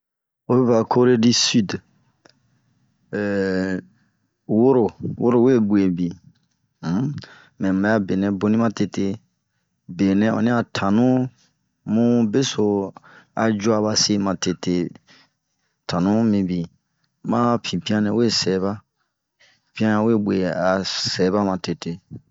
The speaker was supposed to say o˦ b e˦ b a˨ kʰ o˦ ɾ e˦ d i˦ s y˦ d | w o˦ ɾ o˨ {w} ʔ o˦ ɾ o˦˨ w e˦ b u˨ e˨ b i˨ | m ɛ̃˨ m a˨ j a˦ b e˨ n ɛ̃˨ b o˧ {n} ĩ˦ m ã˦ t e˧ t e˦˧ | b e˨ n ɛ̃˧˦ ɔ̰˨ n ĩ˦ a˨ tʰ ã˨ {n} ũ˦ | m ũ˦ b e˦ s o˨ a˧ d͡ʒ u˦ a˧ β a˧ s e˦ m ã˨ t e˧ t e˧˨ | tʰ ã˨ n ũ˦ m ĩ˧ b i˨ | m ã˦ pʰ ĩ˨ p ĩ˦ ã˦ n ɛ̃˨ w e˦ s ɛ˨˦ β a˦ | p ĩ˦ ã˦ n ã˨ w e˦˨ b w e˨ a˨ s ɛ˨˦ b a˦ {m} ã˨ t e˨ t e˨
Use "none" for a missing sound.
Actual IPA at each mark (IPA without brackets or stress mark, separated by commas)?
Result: w, n, n, m